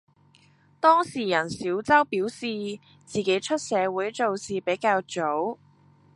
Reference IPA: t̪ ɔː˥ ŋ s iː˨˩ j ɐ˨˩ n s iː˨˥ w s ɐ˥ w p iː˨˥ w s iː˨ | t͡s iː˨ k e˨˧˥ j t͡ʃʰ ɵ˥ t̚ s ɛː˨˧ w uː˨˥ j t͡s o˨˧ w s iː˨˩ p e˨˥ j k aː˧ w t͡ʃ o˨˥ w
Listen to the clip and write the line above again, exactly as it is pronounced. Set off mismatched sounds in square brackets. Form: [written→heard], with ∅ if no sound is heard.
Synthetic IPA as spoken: t̪ ɔː˥ ŋ s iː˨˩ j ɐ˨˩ n s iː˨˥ w [s→t͡s] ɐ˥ w p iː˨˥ w s iː˨ | t͡s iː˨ k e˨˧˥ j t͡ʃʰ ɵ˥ t̚ s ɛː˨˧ w uː˨˥ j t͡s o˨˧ w s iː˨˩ p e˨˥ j k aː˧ w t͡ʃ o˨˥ w